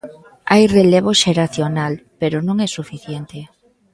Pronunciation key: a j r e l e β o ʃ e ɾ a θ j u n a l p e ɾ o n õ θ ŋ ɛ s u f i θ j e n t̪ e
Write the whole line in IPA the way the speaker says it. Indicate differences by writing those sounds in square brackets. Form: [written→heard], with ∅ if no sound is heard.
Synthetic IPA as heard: a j r e l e β o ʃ e ɾ a θ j [u→o] n a l p e ɾ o n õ [θ→∅] ŋ ɛ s u f i θ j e n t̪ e